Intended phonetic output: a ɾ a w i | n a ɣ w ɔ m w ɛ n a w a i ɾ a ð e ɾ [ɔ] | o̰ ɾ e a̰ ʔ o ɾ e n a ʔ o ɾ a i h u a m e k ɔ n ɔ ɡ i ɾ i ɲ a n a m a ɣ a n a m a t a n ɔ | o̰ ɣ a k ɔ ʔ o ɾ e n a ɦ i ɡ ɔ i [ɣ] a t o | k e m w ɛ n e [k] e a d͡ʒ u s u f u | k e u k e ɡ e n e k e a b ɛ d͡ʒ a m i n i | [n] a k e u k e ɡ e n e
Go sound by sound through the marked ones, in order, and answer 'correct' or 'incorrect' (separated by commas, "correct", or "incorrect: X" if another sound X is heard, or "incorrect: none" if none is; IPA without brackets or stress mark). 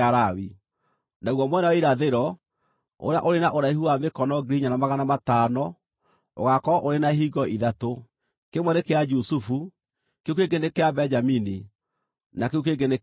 correct, incorrect: ð, correct, correct